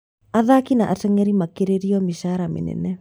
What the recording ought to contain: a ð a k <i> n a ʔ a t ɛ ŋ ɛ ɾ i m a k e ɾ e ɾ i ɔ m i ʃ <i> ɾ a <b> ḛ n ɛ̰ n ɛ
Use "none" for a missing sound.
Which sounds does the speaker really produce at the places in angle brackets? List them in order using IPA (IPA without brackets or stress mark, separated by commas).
i, a, m